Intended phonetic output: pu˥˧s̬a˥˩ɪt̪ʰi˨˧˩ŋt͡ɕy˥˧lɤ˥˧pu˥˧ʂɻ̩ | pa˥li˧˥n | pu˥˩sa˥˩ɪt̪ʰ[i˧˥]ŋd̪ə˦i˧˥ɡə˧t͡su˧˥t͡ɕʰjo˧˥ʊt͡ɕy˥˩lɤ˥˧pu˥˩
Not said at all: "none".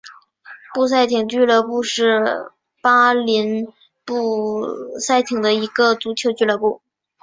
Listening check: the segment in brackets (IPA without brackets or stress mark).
i˨˩